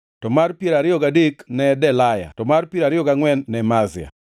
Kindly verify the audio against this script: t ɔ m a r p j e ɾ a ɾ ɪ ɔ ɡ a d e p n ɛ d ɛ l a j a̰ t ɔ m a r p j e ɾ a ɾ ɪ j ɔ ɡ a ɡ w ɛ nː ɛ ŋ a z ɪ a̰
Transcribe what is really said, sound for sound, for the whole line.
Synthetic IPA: t ɔ m a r p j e ɾ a ɾ ɪ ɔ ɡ a d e k n ɛ d ɛ l a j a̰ t ɔ m a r p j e ɾ a ɾ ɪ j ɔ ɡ a ŋ w ɛ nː ɛ m a z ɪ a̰